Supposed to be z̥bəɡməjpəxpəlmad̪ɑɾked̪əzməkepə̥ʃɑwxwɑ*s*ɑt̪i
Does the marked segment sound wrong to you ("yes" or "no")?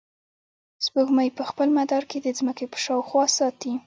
no